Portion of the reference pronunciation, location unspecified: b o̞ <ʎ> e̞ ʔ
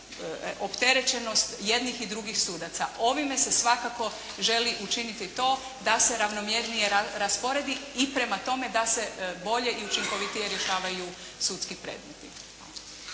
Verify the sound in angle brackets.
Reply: correct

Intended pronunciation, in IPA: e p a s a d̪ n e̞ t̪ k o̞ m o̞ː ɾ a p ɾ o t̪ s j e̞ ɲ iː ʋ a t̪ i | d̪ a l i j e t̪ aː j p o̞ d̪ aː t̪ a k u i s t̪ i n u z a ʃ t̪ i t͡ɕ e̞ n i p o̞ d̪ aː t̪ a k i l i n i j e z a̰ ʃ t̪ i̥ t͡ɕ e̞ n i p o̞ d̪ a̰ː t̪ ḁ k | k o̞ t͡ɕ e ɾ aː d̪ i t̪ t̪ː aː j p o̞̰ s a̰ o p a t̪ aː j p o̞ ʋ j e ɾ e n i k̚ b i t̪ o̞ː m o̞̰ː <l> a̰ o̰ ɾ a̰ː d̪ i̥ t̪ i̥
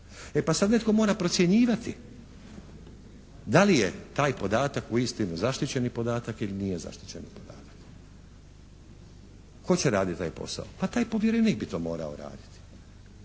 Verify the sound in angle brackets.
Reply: incorrect: ɾ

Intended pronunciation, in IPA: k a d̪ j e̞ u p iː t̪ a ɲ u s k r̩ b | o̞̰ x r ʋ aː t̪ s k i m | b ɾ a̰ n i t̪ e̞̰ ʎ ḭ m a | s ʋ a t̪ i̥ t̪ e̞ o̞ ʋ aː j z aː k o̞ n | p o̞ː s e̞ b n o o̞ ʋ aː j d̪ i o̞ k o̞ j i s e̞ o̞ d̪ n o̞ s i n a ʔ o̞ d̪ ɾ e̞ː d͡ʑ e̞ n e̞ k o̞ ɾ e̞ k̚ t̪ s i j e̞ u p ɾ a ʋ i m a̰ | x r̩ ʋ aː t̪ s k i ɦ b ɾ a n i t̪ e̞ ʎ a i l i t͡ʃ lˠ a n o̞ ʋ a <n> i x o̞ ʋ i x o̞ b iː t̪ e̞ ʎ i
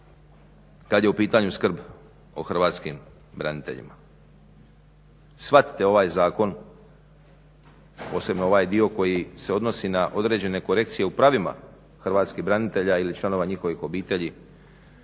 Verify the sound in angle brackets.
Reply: incorrect: ɲ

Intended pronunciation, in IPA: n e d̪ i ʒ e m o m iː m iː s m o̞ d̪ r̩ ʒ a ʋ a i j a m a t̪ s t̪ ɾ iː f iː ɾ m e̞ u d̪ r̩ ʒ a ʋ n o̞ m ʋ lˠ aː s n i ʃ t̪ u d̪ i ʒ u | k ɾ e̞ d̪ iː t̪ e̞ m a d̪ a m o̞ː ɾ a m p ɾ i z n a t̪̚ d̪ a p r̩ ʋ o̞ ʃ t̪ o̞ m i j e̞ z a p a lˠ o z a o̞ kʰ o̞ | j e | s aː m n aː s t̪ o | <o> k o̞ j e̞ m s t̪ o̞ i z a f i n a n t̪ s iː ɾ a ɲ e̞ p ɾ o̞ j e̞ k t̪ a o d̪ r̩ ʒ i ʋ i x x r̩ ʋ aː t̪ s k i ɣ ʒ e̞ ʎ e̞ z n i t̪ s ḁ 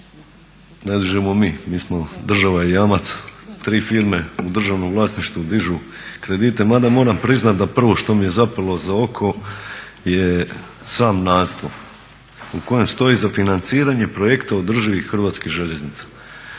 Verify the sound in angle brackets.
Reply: incorrect: u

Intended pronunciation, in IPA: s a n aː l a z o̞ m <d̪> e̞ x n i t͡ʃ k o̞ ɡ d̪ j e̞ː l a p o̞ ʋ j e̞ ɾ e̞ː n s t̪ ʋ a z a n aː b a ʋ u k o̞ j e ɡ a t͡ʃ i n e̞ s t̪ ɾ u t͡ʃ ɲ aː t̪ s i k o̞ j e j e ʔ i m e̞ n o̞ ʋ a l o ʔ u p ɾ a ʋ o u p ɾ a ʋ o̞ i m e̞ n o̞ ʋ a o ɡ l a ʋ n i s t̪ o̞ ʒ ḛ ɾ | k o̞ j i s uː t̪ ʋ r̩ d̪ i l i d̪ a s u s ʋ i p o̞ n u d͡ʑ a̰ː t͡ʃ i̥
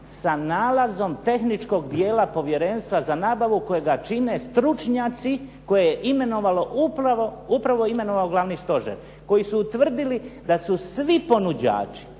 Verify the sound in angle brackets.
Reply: incorrect: t̪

